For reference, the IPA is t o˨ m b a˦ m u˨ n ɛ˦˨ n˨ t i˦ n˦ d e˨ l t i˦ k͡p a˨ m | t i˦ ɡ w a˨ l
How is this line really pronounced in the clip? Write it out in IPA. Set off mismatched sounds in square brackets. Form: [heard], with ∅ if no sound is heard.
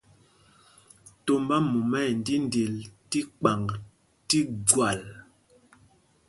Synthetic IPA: t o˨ m b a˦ m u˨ [m] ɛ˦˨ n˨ [d] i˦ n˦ d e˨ l t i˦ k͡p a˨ [ŋ] | t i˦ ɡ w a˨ l